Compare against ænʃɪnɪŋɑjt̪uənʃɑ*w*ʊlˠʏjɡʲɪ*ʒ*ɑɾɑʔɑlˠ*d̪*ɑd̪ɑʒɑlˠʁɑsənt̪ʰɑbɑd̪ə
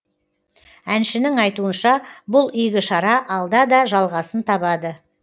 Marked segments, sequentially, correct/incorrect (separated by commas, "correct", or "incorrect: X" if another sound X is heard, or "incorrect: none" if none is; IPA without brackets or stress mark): incorrect: b, incorrect: ʃ, correct